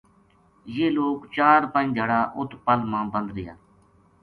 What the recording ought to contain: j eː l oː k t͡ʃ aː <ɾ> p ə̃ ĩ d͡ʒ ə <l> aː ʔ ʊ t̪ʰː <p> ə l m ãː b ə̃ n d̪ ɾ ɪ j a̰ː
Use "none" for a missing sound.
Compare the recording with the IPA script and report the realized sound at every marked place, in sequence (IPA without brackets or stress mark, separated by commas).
ɾ, ɽ, p